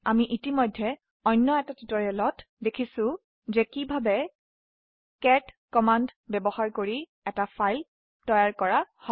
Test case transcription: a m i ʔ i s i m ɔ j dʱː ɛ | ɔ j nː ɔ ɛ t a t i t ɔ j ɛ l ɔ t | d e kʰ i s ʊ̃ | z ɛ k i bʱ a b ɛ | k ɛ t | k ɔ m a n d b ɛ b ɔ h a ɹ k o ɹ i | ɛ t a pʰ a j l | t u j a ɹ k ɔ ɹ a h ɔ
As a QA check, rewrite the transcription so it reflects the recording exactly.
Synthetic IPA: a m i ʔ i t i m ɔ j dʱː ɛ | ɔ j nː ɔ ɛ t a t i t ɔ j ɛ l ɔ t | d e kʰ i s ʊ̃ | z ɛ k i bʱ a b ɛ | k ɛ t | k ɔ m a n d b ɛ b ɔ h a ɹ k o ɹ i | ɛ t a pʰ a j l | t ɔ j a ɹ k ɔ ɹ a h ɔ